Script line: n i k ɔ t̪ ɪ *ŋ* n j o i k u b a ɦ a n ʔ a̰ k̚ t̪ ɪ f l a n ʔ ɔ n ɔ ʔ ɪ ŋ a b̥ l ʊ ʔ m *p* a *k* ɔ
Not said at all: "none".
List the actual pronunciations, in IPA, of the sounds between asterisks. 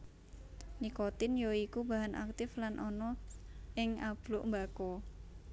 none, b, k

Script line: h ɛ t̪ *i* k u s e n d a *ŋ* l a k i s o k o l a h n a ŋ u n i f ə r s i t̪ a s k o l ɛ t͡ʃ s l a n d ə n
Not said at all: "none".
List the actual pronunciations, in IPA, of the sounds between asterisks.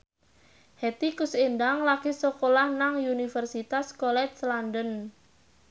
i, ŋ

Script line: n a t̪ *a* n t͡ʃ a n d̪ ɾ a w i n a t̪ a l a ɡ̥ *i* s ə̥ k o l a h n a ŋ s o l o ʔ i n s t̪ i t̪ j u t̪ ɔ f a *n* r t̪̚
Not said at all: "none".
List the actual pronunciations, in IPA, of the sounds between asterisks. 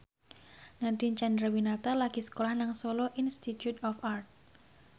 i, i, none

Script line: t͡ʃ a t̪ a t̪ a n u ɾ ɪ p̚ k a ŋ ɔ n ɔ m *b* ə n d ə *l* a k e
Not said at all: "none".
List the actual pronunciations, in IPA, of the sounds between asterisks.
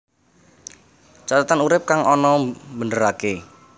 b, ɾ

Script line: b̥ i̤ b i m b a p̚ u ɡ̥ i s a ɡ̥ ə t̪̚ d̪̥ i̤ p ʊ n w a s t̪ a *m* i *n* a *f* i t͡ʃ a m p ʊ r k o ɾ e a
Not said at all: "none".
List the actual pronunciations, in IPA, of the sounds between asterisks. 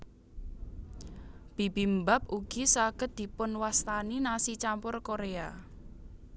n, n, s

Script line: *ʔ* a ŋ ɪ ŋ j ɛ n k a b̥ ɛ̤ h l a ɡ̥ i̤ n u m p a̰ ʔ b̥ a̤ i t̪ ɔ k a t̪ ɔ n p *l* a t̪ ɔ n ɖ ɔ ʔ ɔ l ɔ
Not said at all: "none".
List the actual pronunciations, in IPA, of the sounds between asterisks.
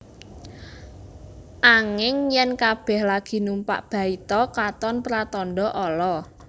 ʔ, ɾ

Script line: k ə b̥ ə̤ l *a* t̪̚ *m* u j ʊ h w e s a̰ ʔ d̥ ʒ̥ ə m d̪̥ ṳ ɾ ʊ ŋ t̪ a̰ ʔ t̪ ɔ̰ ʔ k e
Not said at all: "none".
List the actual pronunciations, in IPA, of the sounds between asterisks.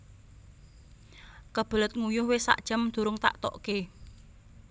ə, ŋ

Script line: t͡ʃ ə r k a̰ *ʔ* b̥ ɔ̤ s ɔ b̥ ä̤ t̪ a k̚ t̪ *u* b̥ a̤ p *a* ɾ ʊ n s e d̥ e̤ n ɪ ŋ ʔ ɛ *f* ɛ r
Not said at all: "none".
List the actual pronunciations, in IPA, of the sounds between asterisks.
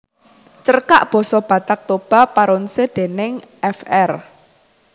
ʔ, o, a, f

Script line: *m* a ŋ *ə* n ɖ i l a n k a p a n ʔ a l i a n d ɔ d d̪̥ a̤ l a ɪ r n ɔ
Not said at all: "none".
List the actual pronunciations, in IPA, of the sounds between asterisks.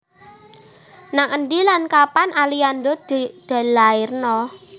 n, ə

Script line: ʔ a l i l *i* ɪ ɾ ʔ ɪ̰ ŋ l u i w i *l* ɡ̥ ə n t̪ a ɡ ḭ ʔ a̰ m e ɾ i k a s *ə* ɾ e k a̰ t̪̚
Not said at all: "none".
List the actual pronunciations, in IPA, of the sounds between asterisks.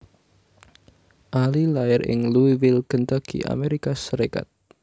a, l, ə

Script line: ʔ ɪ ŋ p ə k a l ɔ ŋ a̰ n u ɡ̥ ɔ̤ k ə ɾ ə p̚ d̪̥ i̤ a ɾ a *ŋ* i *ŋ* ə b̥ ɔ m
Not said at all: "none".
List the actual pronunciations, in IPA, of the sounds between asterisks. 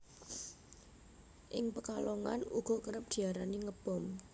n, ŋ

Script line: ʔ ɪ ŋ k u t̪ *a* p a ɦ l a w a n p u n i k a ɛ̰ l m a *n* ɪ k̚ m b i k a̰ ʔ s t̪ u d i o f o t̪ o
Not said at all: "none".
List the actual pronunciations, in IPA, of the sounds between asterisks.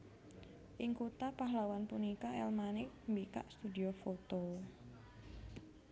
a, n

